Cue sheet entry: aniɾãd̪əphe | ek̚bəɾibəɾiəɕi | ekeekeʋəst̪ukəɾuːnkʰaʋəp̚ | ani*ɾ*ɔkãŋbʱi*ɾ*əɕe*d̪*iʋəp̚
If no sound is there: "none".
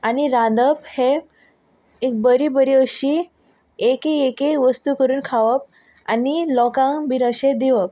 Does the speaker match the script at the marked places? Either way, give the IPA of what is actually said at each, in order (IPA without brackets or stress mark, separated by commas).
l, ɾ, d̪